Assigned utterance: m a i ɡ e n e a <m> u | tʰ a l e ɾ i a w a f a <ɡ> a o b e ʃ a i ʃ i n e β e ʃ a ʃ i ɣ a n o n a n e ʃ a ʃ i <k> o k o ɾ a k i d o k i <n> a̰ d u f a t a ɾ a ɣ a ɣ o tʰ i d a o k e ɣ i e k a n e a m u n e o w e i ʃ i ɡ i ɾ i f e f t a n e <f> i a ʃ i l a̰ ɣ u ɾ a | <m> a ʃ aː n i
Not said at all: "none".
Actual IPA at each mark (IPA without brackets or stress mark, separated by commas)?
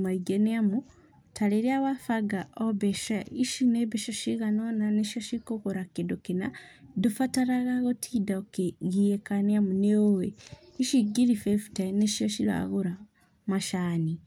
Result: m, ɡ, k, n, ʃ, m